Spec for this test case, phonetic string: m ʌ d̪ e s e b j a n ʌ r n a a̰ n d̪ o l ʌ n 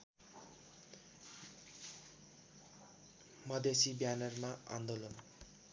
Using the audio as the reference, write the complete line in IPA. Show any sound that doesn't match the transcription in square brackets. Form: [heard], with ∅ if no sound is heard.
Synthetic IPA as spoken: m ʌ d̪ e s [i] b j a n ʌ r [m] a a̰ n d̪ o l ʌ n

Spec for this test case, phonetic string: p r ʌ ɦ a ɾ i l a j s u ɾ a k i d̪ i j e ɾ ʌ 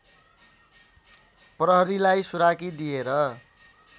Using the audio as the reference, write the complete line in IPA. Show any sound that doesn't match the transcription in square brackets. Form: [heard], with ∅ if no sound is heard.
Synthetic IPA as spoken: p r ʌ ɦ [ʌ] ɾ i l a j s u ɾ a k i d̪ i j e ɾ ʌ

